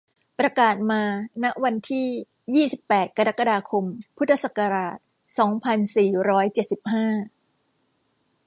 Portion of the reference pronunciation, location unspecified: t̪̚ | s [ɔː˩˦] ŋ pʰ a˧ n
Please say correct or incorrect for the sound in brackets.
correct